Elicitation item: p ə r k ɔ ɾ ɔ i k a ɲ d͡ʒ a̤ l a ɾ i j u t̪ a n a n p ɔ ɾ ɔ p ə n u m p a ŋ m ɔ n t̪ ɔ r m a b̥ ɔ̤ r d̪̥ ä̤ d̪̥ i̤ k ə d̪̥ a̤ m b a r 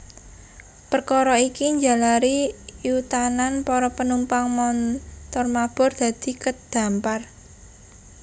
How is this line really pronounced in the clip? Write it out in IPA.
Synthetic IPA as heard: p ə r k ɔ ɾ ɔ i k i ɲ d͡ʒ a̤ l a ɾ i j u t̪ a n a n p ɔ ɾ ɔ p ə n u m p a ŋ m ɔ n t̪ ɔ r m a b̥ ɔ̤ r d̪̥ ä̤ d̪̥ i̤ k ə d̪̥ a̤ m p a r